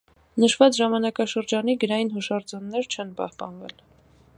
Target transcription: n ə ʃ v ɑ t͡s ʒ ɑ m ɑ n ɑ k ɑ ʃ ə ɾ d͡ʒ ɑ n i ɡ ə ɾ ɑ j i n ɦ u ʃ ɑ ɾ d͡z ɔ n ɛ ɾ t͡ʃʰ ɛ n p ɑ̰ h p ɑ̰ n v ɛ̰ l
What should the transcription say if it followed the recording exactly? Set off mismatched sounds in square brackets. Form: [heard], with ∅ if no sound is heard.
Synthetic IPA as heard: n ə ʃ v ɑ t͡s ʒ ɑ m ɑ n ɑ k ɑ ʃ ə ɾ d͡ʒ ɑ n i ɡ ə ɾ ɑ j i n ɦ u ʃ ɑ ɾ d͡z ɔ [nː] ɛ ɾ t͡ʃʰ ɛ n p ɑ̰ h p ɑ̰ n v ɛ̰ l